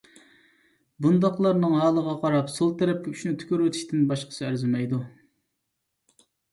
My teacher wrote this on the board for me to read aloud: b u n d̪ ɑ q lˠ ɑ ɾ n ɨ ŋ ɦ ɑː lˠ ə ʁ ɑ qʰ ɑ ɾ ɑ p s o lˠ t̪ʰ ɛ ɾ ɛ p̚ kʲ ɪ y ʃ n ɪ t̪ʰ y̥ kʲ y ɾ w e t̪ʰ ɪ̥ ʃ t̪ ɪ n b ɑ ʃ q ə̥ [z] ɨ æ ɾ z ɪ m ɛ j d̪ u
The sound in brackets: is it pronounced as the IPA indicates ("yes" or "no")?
no